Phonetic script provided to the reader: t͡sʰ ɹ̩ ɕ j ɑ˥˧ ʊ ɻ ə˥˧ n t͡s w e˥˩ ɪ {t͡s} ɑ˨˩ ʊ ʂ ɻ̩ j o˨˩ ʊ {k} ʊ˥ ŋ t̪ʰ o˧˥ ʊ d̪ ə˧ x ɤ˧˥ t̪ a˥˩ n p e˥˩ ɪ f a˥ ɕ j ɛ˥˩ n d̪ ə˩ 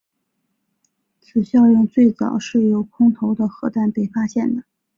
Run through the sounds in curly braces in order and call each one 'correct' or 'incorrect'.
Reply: correct, incorrect: kʰ

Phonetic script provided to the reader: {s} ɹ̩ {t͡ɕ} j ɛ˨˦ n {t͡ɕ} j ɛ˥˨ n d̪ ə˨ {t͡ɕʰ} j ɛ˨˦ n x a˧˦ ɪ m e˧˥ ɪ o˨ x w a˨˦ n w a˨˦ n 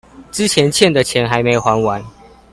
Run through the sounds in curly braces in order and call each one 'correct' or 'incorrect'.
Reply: incorrect: t͡s, incorrect: t͡ɕʰ, incorrect: t͡ɕʰ, correct

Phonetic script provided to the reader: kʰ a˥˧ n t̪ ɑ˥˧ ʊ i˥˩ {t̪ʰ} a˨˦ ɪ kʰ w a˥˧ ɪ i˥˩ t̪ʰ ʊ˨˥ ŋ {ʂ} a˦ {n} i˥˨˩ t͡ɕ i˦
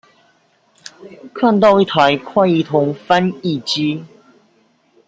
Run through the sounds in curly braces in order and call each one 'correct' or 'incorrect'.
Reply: correct, incorrect: f, correct

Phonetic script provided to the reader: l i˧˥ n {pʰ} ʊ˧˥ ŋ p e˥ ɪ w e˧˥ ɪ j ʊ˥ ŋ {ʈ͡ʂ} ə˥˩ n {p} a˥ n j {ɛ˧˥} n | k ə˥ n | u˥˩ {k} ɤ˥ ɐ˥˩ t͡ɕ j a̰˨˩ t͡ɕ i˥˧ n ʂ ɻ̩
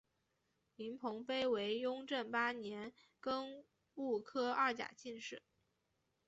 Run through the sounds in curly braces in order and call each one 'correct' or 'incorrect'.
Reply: correct, correct, correct, correct, incorrect: kʰ

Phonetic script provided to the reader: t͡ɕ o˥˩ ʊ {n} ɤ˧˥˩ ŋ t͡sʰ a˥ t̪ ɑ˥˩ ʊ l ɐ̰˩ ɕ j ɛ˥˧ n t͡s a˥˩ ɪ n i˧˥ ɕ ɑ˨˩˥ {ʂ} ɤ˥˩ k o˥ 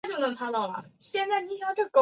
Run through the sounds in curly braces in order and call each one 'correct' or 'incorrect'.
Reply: correct, incorrect: ʈ͡ʂ

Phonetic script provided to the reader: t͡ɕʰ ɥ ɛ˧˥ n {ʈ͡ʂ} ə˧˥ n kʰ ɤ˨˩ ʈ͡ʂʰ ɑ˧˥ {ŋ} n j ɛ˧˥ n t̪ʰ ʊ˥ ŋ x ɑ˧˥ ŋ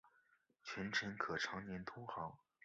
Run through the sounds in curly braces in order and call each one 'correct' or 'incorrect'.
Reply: incorrect: ʈ͡ʂʰ, correct

